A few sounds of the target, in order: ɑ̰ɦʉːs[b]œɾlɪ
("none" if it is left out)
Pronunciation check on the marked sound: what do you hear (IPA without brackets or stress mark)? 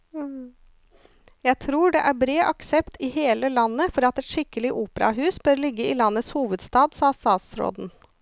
b